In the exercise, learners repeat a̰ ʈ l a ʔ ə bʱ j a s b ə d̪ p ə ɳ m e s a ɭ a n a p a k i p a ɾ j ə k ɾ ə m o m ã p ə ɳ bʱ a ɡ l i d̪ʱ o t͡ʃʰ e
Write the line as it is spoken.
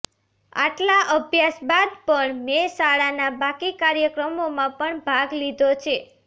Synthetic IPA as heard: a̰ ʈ l a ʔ ə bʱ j a s b a d̪ p ə ɳ m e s a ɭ a n a b a k i k a ɾ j ə k ɾ ə m o m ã p ə ɳ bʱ a ɡ l i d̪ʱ o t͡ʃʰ e